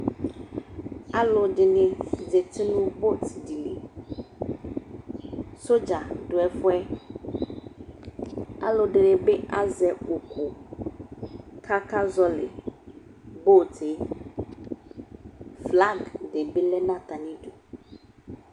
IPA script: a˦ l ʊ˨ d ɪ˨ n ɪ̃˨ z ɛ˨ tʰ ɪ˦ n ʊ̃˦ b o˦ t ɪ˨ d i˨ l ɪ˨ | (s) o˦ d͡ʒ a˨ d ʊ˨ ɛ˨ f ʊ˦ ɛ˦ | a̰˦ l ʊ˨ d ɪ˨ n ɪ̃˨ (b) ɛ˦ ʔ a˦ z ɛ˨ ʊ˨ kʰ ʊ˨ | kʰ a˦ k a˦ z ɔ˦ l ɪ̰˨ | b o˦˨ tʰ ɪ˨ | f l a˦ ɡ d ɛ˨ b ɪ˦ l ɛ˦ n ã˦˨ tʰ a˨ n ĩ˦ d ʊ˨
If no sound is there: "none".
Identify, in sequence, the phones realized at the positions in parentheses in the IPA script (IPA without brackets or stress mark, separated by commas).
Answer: s, b